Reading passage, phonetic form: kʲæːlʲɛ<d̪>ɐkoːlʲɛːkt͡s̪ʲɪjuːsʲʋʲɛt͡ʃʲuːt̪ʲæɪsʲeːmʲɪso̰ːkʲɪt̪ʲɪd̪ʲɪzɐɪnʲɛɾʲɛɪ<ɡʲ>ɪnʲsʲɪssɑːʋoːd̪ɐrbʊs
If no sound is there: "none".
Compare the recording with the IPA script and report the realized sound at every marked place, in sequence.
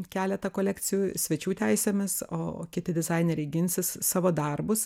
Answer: t̪, ɡʲ

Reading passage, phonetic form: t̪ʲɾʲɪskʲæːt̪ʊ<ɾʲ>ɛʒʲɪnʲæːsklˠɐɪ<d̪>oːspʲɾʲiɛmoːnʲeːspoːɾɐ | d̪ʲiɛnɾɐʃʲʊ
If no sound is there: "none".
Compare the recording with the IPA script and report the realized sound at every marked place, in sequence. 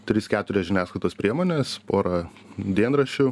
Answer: ɾʲ, t̪

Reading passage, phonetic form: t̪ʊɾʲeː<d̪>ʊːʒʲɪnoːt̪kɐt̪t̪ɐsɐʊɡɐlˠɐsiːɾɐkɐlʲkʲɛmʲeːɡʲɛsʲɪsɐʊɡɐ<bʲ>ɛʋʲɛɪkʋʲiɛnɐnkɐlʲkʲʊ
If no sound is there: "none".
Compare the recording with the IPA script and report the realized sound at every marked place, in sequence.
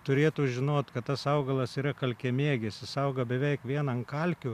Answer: t̪, bʲ

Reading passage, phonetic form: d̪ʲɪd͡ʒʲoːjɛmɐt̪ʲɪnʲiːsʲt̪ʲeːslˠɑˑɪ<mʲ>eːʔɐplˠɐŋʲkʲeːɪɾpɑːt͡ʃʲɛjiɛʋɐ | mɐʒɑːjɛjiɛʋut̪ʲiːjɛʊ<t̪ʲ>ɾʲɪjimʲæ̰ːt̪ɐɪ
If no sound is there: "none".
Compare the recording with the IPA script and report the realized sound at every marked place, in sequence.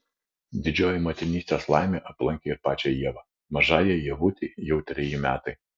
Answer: mʲ, t̪ʲ

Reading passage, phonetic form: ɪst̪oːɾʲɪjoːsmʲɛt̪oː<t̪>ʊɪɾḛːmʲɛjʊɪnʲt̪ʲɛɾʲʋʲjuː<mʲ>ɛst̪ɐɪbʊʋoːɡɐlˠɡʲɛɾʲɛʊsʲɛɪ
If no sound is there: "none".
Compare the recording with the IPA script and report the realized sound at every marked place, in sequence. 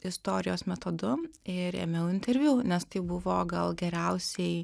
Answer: d̪, nʲ

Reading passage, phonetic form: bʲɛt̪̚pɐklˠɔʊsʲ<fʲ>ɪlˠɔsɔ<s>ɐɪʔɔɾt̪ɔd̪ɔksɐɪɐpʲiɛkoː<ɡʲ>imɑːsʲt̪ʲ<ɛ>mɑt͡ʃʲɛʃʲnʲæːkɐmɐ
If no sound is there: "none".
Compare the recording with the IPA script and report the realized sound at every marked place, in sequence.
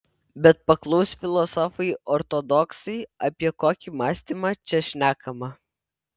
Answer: fʲ, f, kʲ, i

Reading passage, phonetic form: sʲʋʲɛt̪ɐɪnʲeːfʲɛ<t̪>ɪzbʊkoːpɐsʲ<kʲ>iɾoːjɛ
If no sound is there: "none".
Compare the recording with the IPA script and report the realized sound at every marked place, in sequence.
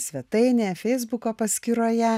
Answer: none, kʲ

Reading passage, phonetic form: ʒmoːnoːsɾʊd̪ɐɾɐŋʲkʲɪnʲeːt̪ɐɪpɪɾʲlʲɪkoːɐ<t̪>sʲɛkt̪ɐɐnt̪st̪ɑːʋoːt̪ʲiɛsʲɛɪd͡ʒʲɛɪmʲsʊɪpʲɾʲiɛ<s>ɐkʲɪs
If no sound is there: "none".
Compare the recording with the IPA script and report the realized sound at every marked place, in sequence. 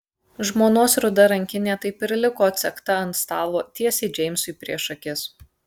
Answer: t̪, ʃ

